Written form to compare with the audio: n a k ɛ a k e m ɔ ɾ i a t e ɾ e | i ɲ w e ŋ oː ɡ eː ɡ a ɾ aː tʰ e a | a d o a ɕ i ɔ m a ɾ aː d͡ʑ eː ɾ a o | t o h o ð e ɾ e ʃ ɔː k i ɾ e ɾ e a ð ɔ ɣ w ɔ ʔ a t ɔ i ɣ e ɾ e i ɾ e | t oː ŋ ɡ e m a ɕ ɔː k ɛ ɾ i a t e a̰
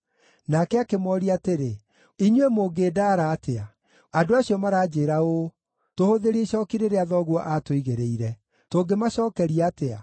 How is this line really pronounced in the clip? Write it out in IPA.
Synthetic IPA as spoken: n a k ɛ a k e m ɔ ɾ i a t e ɾ e | i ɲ w e m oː ɡ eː d a ɾ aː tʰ e a | a d o a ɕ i ɔ m a ɾ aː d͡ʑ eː ɾ a o | t o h o ð e ɾ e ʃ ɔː k i ɾ e ɾ e a ð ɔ ɣ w ɔ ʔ a t o i ɣ e ɾ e i ɾ ɛ | t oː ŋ ɡ e m a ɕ ɔː k ɛ ɾ i a t e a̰